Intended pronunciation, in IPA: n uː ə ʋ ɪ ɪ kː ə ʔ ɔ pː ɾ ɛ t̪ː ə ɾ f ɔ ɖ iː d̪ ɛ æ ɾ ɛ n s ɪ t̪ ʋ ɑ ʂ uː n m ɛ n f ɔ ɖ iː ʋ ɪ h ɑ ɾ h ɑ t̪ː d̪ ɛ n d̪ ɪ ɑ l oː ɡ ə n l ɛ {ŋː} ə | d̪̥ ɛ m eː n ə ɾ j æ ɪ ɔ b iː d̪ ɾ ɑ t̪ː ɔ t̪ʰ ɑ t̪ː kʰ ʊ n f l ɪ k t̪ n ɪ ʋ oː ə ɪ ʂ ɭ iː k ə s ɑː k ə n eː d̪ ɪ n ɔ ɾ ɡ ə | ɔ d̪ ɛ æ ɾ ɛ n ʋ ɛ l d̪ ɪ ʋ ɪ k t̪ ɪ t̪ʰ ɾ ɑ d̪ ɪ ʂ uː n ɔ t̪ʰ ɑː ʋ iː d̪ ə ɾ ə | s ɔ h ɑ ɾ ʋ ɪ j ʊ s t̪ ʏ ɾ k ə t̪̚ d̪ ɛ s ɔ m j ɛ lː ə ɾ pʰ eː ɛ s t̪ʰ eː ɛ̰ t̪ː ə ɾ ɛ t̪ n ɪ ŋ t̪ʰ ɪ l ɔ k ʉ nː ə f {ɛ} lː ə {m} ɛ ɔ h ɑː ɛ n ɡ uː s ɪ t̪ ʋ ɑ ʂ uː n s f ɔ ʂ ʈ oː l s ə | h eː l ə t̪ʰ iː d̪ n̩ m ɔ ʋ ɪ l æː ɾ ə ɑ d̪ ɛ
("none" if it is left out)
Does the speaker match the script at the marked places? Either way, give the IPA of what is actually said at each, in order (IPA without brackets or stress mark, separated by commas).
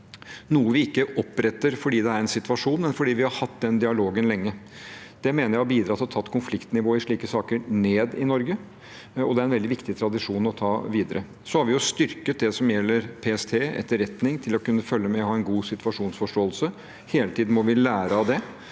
ŋː, œ, m